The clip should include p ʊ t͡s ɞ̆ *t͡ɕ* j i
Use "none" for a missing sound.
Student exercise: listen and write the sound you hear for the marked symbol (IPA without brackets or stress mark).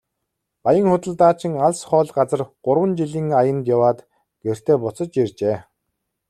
t͡ɕ